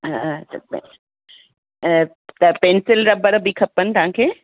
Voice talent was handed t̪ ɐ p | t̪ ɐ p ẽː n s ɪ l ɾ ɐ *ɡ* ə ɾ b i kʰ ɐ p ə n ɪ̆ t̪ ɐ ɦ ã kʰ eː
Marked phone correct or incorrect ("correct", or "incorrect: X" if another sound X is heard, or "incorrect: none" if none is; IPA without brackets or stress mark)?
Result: incorrect: b